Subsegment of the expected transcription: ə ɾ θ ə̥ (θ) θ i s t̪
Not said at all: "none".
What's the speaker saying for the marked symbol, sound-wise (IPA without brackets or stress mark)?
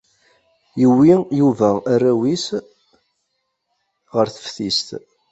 f